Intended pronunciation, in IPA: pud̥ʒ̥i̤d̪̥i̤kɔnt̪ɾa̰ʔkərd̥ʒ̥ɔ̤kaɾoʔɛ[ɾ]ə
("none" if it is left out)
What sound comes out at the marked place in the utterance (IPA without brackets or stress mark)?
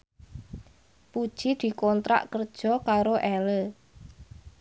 l